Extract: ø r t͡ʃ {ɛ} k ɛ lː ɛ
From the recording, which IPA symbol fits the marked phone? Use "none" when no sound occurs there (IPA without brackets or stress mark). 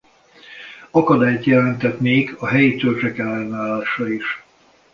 ɛ